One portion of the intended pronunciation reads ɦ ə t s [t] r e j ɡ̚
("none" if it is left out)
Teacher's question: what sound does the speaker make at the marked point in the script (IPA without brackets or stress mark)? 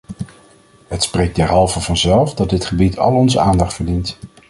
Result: p